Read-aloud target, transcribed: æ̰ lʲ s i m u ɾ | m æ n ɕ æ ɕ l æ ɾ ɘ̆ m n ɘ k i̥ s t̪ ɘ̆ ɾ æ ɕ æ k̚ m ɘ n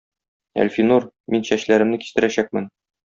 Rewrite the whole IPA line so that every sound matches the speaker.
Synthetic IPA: æ̰ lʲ f i n u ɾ | m i n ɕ æ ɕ l æ ɾ ɘ̆ m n ɘ k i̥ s t̪ ɘ̆ ɾ æ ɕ æ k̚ m ɘ n

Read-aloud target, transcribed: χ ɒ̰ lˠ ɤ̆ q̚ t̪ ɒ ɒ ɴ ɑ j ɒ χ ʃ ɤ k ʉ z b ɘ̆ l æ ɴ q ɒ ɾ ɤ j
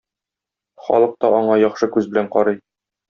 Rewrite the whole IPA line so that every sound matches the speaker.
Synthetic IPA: χ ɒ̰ lˠ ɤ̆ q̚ t̪ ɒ ɒ ɴ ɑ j ɒ χ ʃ ɤ k ʉ z b ɘ̆ l æ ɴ q ɒ ɾ ɤ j

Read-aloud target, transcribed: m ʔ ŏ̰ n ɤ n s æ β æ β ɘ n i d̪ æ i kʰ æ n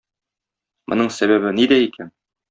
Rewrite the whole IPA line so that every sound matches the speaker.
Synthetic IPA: m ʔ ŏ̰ n ɤ ɴ s æ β æ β ɘ n i d̪ æ i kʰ æ n

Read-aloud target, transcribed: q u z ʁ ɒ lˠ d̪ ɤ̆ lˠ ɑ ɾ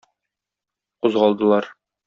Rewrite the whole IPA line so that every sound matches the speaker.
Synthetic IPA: q u z ʁ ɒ lˠ d̪ ɤ̆ lˠ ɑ ɾ

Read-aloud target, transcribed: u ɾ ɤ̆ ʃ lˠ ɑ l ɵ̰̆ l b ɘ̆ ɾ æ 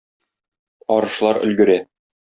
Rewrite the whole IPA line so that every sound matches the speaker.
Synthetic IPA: ɒ ɾ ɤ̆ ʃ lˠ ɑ ɾ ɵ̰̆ l ɡ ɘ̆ ɾ æ

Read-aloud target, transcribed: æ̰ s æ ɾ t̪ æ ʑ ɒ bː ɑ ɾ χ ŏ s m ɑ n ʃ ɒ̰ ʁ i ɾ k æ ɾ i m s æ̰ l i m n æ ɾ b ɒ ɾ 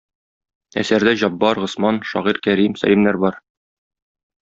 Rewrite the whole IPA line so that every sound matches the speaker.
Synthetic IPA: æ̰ s æ ɾ d̪ æ ʑ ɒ bː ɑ ɾ ʁ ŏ s m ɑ n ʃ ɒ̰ ʁ i ɾ k æ ɾ i m s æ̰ l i m n æ ɾ b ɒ ɾ

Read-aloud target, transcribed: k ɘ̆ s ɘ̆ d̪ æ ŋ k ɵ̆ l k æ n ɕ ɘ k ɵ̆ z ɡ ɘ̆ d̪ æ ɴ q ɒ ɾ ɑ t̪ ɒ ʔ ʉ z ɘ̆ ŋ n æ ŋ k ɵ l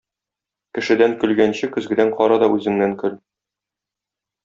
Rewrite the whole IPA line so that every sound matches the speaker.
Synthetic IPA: k ɘ̆ ʃ ɘ̆ d̪ æ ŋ k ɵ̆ l ɡ æ n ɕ ɘ k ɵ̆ z ɡ ɘ̆ d̪ æ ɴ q ɒ ɾ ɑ d̪ ɒ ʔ ʉ z ɘ̆ ŋ n æ ŋ k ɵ l

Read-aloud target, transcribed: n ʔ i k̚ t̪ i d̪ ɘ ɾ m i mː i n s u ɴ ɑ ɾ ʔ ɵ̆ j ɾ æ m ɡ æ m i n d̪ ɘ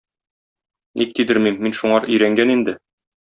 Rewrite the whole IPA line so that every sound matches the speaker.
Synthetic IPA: n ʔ i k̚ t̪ i d̪ ɘ ɾ m i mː i n ʃ u ɴ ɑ ɾ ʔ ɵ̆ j ɾ æ ŋ ɡ æ n i n d̪ ɘ

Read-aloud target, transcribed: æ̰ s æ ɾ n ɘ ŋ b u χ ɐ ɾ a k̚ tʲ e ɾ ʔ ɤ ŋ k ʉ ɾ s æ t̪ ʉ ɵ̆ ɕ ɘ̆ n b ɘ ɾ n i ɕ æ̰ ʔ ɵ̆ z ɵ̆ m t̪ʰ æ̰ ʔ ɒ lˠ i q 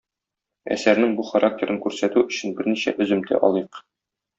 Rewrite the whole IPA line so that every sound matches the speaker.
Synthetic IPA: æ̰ s æ ɾ n ɘ ŋ b u χ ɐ ɾ a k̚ tʲ e ɾ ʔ ɤ ŋ k ʉ ɾ s æ t̪ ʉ ɵ̆ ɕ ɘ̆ n b ɘ ɾ n i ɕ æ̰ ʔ ɵ̆ z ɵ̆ m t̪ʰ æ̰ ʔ ɒ lˠ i q

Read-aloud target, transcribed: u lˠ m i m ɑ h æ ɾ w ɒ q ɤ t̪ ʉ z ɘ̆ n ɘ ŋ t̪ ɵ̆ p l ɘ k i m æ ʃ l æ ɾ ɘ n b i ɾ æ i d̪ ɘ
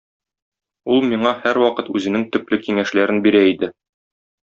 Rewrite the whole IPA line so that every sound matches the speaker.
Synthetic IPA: u lˠ m i ɴ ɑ h æ ɾ w ɒ q ɤ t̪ ʉ z ɘ̆ n ɘ ŋ t̪ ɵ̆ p l ɘ k i ŋ æ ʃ l æ ɾ ɘ n b i ɾ æ i d̪ ɘ

